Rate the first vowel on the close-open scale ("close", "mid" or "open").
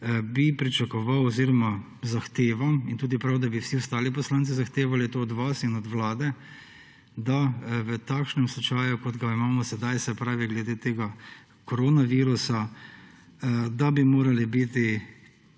close